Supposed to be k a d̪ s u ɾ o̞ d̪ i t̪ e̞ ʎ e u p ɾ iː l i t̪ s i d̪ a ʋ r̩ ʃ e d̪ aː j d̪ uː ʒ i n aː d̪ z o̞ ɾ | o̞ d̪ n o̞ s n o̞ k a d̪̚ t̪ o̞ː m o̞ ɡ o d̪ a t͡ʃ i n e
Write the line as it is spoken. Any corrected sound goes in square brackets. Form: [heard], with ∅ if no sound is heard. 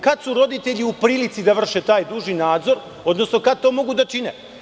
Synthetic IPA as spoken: k a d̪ s u ɾ o̞ d̪ i t̪ e̞ ʎ [i] u p ɾ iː l i t̪ s i d̪ a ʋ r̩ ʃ e [t̪] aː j d̪ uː ʒ i n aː d̪ z o̞ ɾ | o̞ d̪ n o̞ s n o̞ k a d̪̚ t̪ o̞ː m o̞ ɡ [u] d̪ a t͡ʃ i n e